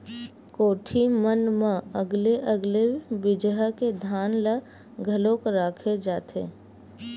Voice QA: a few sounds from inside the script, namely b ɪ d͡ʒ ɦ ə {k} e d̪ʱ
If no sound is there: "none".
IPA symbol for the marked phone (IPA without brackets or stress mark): k